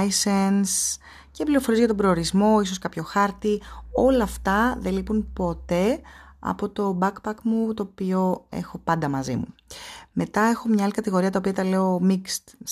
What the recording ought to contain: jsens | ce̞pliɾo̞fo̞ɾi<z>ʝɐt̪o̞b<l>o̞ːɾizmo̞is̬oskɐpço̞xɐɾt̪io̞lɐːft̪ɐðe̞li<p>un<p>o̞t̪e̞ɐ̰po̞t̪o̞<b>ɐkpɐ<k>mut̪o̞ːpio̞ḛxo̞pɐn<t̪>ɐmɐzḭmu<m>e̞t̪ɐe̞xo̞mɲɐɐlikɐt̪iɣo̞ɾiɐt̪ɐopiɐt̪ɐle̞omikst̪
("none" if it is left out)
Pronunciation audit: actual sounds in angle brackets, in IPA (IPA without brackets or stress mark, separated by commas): z, ɾ, p, p, b, k, d̪, m